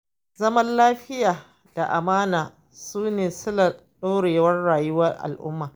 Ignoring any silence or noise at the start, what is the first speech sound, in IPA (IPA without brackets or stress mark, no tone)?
z